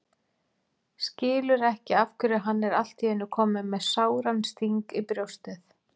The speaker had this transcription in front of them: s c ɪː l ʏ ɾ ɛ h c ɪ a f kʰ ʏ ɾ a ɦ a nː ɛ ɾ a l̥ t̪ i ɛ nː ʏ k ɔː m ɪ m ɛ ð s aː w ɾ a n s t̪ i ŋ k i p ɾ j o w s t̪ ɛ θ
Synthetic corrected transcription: s c ɪː l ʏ ɾ ɛ h c ɪ a f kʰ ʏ ɾ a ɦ a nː ɛ ɾ a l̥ t̪ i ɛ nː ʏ kʰ ɔː m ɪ m ɛ ð s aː w ɾ a n s t̪ i ŋ k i p ɾ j o w s t̪ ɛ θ